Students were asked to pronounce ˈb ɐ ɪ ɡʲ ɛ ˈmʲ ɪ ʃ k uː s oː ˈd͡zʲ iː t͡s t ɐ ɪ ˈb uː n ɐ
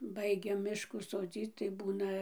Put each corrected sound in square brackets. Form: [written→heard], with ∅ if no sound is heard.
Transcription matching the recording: ˈb ɐ ɪ ɡʲ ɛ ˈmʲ ɪ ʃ k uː s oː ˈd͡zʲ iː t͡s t ɐ ɪ ˈb uː n ɐ